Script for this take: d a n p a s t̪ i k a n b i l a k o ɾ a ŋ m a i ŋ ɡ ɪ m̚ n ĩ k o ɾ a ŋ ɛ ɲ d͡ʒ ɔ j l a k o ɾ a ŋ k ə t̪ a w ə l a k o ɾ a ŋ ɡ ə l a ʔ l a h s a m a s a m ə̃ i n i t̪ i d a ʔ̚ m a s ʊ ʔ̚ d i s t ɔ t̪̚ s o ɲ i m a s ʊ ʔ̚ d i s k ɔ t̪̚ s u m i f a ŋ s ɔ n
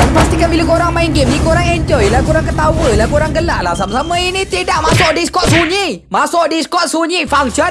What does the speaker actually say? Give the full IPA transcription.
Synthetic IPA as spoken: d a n p a s t̪ i k a n b i l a k o ɾ a ŋ m a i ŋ ɡ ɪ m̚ n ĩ k o ɾ a ŋ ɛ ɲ d͡ʒ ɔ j l a k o ɾ a ŋ k ə t̪ a w ə l a k o ɾ a ŋ ɡ ə l a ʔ l a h s a m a s a m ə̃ i n i t̪ i d a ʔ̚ m a s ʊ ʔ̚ d i s k ɔ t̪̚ s u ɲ i m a s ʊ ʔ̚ d i s k ɔ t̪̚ s u ɲ i f a ŋ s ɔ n